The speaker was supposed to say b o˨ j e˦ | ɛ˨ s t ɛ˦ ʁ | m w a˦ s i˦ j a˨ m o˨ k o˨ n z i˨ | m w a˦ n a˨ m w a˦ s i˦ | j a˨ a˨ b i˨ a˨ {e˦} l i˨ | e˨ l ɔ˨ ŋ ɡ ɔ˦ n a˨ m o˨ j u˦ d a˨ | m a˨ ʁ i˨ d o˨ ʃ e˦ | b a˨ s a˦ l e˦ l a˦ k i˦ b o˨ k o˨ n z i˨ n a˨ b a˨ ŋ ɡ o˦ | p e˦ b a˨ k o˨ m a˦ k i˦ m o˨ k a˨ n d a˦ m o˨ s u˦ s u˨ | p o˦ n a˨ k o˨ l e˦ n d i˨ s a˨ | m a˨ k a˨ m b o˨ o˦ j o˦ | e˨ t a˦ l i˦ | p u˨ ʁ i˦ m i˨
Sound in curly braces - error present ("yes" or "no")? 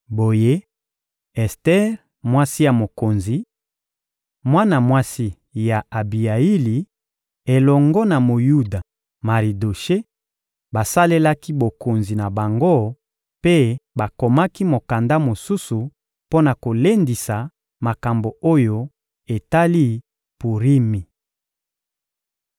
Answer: yes